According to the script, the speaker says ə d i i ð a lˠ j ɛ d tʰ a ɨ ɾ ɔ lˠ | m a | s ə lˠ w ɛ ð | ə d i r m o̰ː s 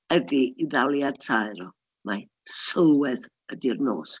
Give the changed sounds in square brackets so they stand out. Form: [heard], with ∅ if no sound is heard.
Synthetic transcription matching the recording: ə d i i ð a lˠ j [a] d tʰ a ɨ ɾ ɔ [∅] | m a | s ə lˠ w ɛ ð | ə d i r [n] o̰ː s